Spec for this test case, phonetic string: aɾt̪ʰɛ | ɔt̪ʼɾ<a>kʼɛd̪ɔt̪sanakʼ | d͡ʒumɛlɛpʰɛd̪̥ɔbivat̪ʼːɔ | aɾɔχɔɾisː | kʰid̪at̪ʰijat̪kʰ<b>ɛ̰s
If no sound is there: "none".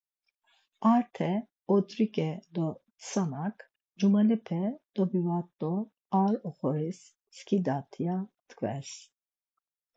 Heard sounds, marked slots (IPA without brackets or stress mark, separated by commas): i, v